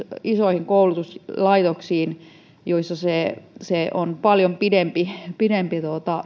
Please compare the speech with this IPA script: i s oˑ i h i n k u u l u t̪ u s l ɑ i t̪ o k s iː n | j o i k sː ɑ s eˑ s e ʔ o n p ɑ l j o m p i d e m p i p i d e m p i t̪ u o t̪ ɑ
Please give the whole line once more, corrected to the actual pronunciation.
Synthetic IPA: i s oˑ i h i ŋ k o u l u t̪ u s l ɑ i t̪ o k s iː n | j o i sː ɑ s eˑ s e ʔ o n p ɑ l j o m p i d e m p i p i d e m p i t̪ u o t̪ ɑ

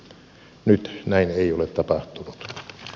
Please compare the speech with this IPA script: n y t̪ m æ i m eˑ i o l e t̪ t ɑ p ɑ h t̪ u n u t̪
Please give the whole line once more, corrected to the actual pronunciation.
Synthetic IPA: n y t̪ n æ i n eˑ i o l e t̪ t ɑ p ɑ h t̪ u n u t̪

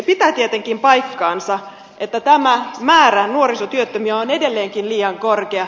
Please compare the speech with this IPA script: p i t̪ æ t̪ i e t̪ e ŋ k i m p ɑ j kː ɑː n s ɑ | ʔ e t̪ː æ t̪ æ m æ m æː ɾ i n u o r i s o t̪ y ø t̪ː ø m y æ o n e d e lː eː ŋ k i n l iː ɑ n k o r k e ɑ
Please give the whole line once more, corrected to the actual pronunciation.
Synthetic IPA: p i t̪ æ t̪ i e t̪ e ŋ k i m p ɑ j kː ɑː n s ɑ | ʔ e t̪ː æ t̪ æ m æ m æː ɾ æ n u o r i s o t̪ y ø t̪ː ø m y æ o n e d e lː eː ŋ k i n l iː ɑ ŋ k o r k e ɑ

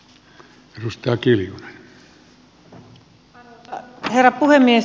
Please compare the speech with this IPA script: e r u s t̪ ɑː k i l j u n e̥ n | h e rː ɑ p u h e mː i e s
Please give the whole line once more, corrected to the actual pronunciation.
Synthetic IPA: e r u s t̪ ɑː k i l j u n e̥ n | h e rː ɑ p u h e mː i e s

